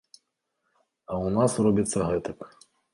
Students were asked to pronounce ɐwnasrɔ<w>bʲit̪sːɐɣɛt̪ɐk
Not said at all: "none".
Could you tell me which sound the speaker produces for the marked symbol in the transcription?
none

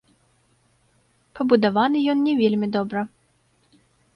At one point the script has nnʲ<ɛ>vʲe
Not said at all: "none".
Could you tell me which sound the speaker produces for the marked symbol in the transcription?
ɛ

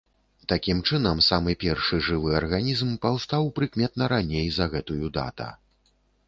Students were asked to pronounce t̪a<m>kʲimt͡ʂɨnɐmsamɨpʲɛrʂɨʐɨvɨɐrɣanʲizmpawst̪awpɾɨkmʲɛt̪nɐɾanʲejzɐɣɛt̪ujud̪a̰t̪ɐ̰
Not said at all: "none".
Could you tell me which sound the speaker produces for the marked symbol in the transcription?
none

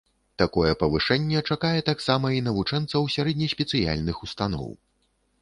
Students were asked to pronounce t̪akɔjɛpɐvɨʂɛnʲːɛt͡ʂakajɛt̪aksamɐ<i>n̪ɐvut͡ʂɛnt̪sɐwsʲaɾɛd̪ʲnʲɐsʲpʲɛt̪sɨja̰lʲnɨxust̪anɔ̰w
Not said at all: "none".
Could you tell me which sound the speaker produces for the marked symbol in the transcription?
i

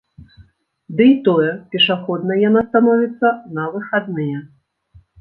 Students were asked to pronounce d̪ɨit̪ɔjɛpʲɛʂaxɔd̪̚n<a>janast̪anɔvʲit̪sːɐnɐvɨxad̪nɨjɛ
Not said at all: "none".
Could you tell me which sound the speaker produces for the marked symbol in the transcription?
ɐ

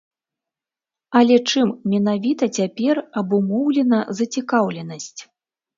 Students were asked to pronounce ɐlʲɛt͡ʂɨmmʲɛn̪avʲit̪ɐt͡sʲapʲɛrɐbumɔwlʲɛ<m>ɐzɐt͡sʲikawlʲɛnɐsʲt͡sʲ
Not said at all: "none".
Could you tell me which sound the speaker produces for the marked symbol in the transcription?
n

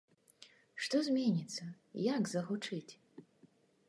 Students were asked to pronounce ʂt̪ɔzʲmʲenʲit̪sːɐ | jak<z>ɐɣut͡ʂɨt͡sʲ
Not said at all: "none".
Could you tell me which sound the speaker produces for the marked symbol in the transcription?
z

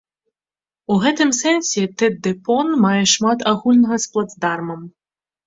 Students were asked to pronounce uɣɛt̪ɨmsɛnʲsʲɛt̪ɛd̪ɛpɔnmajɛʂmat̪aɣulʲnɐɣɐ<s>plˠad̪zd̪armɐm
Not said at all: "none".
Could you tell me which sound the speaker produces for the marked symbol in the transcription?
s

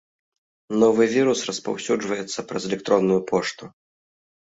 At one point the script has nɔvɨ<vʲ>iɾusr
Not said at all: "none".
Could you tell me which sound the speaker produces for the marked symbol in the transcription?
vʲ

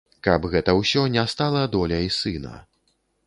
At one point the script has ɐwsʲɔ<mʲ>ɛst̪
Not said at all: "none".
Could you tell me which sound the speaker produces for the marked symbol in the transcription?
nʲ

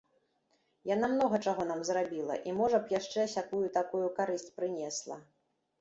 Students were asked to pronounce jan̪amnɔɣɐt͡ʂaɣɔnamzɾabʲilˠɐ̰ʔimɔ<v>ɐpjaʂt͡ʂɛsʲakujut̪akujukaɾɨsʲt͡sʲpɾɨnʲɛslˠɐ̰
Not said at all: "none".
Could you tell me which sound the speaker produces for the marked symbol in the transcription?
ʐ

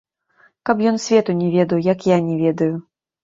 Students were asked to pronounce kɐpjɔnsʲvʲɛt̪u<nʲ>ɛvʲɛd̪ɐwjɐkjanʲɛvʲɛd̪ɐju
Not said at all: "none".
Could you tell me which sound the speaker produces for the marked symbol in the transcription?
nʲ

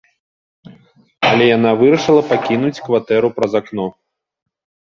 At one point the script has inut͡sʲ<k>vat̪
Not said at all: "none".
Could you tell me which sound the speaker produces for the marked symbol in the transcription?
k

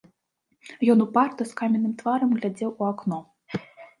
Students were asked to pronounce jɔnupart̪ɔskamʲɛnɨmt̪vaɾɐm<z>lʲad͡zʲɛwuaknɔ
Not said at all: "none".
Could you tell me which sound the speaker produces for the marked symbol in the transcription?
ɣ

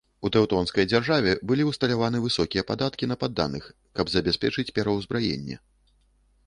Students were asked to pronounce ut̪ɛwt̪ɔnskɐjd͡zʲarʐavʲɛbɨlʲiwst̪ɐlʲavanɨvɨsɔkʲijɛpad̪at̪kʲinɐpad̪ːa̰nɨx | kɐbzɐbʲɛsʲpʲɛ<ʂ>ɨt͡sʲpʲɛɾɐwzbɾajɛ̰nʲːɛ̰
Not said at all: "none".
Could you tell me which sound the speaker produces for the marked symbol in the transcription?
t͡ʂ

